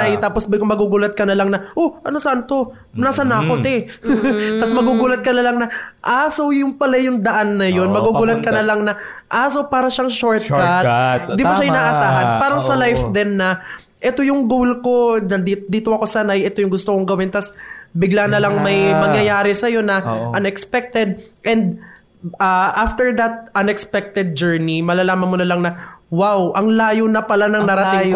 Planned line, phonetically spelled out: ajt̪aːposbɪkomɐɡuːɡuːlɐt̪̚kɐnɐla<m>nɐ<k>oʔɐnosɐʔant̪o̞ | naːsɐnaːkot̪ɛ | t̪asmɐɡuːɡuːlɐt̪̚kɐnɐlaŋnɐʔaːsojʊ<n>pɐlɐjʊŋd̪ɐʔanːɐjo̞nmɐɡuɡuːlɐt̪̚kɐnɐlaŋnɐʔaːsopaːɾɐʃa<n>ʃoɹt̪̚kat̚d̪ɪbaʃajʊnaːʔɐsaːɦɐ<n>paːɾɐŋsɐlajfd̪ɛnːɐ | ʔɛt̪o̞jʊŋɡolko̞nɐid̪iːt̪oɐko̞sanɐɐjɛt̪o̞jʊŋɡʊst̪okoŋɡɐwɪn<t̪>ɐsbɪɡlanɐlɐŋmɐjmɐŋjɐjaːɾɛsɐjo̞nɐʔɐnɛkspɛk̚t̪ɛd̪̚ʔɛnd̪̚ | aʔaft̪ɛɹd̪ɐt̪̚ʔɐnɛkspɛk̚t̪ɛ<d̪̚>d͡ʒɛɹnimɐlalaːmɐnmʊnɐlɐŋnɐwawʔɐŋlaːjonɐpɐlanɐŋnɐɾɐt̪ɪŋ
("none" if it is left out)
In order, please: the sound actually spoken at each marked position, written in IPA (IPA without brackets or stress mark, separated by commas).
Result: ŋ, ʔ, ŋ, ŋ, n, t̪, d̪̚